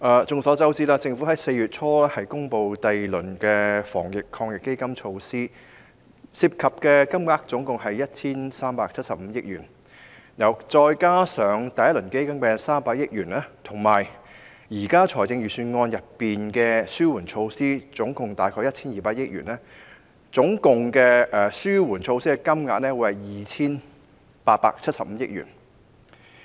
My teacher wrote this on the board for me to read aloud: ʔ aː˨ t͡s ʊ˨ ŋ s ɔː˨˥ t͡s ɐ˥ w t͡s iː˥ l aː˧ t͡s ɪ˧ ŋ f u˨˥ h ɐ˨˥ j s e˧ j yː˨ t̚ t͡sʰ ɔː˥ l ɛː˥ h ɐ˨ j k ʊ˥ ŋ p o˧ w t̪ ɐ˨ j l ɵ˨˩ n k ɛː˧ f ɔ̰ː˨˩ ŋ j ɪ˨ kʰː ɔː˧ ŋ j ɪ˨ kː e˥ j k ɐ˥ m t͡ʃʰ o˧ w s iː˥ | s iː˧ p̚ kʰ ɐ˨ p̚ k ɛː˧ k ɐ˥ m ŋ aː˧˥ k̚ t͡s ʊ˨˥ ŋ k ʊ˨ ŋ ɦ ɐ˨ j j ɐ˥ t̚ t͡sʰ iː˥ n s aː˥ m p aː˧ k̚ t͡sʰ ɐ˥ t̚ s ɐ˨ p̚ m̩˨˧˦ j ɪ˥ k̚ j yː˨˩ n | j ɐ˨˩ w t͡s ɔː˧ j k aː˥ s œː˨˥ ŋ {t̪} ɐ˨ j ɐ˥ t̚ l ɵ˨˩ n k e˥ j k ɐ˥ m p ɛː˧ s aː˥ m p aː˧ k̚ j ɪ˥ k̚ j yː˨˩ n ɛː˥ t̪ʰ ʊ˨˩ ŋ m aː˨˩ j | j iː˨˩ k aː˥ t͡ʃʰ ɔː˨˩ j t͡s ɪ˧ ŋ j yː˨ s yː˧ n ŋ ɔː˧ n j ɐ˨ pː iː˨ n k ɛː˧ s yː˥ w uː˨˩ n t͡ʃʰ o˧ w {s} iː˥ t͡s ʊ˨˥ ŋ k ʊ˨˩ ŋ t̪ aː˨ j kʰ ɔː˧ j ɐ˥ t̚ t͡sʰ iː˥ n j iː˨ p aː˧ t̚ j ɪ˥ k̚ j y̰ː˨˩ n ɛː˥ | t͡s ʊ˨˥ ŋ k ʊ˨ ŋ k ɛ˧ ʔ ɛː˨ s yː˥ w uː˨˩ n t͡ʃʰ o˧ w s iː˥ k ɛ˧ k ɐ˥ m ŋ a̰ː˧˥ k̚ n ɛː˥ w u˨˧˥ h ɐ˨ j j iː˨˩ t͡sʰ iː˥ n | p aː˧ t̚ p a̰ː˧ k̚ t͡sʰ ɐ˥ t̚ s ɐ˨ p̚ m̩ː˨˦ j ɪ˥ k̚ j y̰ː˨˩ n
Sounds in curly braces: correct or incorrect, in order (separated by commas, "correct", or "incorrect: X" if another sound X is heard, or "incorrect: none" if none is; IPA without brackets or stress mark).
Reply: correct, correct